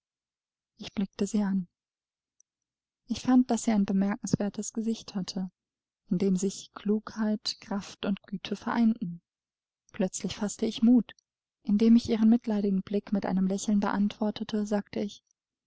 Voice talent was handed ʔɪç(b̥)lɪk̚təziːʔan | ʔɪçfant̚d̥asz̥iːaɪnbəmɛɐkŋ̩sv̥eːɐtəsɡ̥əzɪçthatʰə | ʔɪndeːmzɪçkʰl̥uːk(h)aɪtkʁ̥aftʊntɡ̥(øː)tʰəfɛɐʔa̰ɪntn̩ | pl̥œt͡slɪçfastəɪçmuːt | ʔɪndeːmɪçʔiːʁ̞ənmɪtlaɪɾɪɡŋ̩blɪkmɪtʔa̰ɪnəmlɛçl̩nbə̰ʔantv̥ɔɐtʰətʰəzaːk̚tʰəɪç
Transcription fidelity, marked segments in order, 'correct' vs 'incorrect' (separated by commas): correct, correct, incorrect